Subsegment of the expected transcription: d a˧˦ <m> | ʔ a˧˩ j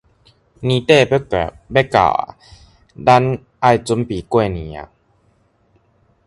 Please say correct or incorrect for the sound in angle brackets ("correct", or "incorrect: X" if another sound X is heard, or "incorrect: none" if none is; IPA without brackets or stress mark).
incorrect: n